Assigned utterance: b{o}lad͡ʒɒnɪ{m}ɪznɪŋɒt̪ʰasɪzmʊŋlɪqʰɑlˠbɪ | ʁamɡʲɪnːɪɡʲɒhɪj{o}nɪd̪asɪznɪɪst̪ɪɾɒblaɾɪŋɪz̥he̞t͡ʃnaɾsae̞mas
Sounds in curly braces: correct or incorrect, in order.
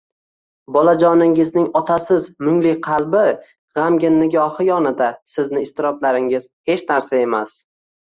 incorrect, incorrect, incorrect

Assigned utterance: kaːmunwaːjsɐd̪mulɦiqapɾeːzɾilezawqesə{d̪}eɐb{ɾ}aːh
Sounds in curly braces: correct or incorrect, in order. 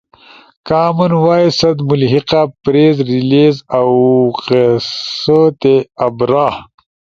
incorrect, correct

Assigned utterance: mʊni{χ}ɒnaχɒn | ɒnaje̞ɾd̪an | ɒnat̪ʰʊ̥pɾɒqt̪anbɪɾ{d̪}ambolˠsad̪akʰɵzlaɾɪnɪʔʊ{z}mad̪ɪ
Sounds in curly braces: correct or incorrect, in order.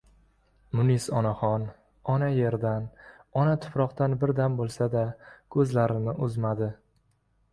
incorrect, correct, correct

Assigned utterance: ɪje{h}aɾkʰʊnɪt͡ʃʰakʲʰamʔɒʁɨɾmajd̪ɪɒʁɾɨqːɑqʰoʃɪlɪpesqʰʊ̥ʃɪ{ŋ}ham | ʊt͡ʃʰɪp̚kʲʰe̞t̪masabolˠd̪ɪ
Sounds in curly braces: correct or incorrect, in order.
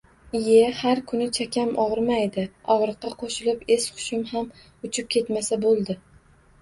correct, incorrect

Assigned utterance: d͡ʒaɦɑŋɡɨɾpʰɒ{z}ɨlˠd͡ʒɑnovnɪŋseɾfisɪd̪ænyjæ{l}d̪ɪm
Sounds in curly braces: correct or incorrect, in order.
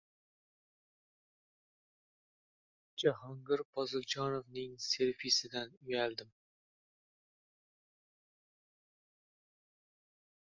correct, correct

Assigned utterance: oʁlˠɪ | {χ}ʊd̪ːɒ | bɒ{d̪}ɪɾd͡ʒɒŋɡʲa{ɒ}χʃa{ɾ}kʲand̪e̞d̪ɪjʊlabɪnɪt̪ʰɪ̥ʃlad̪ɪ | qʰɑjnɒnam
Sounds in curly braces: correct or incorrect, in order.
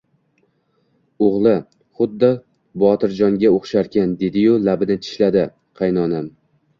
correct, incorrect, incorrect, correct

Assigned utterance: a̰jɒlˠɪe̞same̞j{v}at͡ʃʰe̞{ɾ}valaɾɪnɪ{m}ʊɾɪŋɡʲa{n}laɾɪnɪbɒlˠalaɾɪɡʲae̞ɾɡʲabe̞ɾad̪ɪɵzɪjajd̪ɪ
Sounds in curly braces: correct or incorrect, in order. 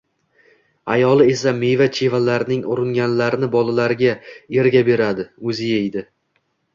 correct, incorrect, incorrect, correct

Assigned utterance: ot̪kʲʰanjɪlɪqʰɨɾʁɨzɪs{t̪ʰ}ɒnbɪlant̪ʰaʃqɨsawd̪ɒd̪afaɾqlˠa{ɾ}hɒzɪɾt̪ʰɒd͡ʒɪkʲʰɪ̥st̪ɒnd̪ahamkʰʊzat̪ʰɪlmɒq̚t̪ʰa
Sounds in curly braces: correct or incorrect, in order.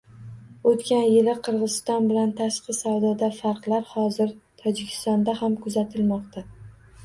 incorrect, correct

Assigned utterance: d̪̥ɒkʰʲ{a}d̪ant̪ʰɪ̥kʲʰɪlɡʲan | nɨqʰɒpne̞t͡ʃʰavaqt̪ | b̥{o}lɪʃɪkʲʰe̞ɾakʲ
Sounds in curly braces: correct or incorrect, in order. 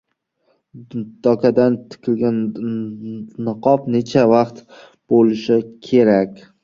correct, correct

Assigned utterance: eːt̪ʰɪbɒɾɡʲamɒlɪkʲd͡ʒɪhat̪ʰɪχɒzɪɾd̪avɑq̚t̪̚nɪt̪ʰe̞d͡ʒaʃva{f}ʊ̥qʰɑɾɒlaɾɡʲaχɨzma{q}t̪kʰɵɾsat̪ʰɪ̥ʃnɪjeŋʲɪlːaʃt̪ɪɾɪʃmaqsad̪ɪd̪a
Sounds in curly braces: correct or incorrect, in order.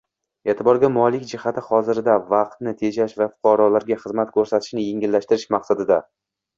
correct, incorrect

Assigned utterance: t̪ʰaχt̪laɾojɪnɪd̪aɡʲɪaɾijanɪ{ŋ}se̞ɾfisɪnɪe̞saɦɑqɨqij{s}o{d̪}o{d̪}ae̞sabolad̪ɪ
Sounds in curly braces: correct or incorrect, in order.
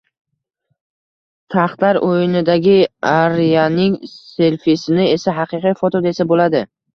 correct, incorrect, incorrect, correct

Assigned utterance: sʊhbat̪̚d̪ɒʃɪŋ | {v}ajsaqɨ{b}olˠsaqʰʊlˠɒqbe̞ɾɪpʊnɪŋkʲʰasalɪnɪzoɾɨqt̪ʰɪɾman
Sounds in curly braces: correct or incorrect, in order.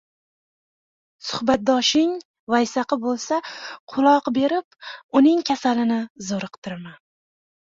correct, correct

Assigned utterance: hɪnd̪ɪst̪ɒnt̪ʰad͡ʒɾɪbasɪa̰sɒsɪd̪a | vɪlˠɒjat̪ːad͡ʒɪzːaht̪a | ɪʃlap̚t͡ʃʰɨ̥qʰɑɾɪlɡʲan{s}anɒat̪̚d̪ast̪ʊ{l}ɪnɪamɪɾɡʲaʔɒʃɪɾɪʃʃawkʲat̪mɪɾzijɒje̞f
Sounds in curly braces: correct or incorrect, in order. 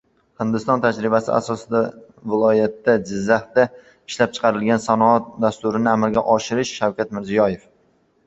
correct, incorrect

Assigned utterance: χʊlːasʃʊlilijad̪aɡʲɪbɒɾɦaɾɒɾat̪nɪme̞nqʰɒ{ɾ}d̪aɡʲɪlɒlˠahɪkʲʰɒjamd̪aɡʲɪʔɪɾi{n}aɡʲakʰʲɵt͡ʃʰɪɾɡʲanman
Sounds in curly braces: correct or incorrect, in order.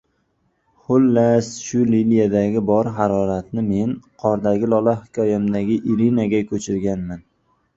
correct, correct

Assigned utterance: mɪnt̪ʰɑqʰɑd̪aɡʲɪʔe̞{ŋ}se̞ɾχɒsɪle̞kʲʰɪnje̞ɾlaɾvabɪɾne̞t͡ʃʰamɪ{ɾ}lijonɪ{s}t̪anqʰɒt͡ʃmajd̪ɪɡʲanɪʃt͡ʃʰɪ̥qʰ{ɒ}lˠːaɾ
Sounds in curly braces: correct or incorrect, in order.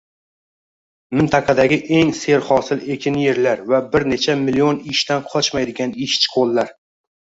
correct, incorrect, incorrect, incorrect

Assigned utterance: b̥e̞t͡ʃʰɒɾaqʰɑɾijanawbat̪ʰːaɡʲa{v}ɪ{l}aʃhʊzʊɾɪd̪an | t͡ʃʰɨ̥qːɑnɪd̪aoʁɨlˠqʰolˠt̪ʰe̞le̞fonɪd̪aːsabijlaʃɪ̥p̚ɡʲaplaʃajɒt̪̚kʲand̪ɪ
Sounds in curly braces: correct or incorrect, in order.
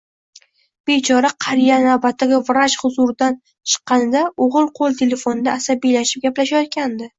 correct, incorrect

